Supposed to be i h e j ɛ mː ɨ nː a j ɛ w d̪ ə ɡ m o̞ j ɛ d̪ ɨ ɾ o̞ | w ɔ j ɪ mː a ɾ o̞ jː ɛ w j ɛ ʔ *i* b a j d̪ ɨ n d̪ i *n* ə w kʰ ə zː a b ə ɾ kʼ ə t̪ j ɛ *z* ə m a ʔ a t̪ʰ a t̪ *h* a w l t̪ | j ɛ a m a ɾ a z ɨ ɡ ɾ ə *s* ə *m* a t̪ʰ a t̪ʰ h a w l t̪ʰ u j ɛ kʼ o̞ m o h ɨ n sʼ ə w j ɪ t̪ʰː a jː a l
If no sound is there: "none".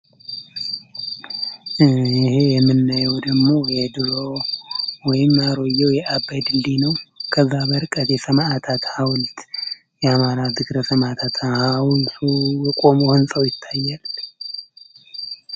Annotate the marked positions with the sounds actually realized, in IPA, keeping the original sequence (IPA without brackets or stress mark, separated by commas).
a, n, s, h, s, m